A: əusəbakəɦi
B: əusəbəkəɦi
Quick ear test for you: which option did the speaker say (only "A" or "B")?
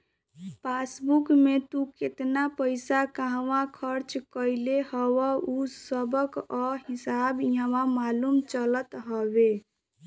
B